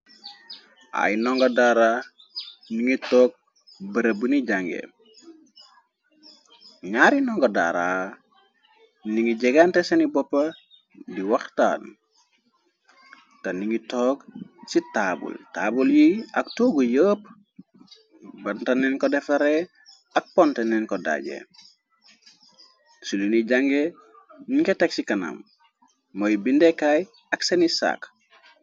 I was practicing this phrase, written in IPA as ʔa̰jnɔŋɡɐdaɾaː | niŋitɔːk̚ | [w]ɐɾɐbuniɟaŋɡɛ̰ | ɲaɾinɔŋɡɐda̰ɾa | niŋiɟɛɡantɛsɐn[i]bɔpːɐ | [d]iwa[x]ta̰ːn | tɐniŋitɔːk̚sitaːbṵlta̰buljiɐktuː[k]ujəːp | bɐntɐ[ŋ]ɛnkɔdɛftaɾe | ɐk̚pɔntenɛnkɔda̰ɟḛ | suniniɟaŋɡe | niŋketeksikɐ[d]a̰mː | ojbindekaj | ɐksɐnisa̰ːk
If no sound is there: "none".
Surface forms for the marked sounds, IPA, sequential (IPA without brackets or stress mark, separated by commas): b, i, d, x, ɡ, n, n